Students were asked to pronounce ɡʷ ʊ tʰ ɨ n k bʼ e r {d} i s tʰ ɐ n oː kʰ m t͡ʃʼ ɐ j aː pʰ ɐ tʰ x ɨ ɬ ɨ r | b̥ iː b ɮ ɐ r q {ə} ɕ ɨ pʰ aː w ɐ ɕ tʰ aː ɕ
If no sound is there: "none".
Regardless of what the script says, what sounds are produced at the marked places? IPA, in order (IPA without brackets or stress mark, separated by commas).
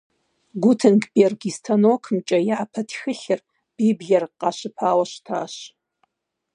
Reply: ɡ, ɑ